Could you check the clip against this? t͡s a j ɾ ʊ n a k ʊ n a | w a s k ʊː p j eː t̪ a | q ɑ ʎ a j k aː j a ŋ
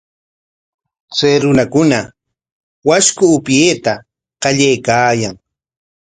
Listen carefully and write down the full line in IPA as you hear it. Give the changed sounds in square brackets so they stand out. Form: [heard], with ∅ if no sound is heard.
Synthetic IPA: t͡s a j ɾ ʊ n a k ʊ n a | w a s k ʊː p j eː t̪ a | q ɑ ʎ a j k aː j a ŋ